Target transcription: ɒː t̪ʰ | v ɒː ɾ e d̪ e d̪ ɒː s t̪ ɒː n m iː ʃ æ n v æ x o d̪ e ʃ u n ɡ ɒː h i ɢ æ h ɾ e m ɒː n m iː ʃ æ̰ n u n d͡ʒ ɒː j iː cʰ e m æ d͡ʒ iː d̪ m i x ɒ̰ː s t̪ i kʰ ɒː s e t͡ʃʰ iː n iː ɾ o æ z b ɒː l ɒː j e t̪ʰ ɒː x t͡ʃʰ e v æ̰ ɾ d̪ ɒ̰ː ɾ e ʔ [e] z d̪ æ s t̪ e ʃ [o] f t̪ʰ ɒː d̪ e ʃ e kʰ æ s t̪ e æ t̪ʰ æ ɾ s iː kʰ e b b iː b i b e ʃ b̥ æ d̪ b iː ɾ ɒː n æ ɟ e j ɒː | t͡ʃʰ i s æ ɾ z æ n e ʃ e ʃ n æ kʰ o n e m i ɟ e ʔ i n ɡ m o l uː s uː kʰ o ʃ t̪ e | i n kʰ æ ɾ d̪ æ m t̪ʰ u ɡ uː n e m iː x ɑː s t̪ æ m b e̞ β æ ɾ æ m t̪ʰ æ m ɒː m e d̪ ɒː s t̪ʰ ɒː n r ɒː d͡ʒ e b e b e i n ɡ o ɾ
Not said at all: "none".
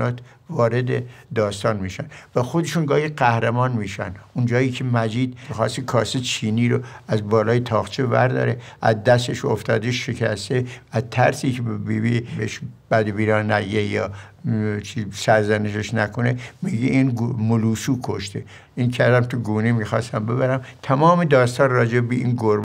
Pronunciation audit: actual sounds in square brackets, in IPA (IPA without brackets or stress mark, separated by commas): æ, o